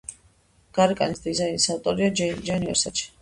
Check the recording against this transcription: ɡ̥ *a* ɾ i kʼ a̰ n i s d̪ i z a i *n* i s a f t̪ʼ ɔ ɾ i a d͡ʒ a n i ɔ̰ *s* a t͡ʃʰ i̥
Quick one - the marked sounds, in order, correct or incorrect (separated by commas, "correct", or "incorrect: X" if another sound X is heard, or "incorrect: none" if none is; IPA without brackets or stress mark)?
correct, correct, correct